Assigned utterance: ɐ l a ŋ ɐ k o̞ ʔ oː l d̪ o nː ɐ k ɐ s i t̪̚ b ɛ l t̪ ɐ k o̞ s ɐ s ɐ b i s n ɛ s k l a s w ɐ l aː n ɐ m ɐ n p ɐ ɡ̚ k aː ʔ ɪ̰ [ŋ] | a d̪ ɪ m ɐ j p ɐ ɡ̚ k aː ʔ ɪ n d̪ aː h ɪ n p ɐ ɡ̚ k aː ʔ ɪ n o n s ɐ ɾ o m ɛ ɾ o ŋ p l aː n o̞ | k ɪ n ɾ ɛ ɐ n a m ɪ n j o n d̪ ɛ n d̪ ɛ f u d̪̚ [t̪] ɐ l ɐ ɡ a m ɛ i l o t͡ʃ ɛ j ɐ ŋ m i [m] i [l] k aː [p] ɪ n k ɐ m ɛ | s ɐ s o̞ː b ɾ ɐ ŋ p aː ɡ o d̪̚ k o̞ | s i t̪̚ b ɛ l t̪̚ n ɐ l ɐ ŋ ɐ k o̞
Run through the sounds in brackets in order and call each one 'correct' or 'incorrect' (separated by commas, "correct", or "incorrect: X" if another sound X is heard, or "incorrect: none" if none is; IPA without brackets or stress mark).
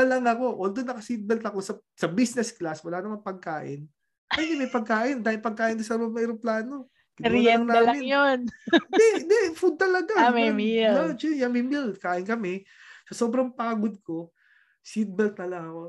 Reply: incorrect: n, correct, correct, correct, incorrect: ʔ